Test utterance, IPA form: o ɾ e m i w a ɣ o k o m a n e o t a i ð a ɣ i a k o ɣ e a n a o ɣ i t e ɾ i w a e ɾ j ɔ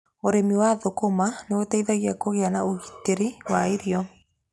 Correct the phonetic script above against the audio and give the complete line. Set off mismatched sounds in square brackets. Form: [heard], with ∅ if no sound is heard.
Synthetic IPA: o ɾ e m i w a [ð] o k o m a n e o t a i ð a ɣ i a k o ɣ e a n a o ɣ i t e ɾ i w a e ɾ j ɔ